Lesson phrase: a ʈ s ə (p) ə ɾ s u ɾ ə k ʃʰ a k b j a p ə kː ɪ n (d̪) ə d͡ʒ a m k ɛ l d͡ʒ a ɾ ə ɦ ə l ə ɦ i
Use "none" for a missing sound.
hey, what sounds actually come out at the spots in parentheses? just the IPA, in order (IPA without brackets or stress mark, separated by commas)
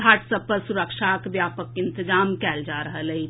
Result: p, t̪